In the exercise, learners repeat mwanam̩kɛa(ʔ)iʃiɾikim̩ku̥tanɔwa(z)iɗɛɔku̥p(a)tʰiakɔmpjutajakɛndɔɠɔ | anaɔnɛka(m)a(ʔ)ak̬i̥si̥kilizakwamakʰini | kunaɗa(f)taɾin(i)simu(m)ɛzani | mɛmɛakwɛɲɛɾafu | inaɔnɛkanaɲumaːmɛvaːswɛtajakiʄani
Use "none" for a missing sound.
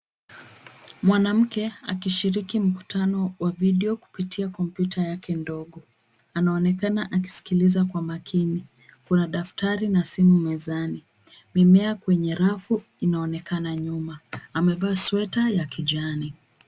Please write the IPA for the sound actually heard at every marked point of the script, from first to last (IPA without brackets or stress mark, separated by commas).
k, v, i, n, ʔ, f, a, m